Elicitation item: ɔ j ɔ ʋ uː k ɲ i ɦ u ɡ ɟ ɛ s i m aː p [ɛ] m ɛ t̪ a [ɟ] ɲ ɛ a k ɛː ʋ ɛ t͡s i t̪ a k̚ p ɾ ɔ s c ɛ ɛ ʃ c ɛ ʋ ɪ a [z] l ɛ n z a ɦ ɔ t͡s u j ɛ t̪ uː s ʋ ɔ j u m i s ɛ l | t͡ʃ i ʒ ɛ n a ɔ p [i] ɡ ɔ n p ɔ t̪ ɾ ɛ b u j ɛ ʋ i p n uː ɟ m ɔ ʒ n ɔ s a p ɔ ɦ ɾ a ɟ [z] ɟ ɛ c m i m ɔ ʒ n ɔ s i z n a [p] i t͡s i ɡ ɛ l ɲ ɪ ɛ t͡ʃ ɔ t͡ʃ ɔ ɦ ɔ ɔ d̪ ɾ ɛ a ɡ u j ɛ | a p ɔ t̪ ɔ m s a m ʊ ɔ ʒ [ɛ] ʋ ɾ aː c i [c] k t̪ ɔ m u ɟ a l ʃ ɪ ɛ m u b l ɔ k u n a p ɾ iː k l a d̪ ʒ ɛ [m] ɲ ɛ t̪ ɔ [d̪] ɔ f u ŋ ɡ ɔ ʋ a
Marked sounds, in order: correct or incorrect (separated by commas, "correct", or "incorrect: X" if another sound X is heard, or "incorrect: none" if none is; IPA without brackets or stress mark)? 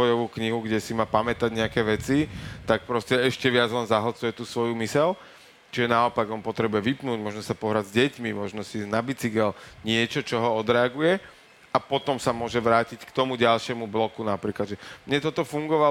incorrect: a, correct, incorrect: d͡z, incorrect: a, correct, incorrect: b, correct, correct, correct, incorrect: t̪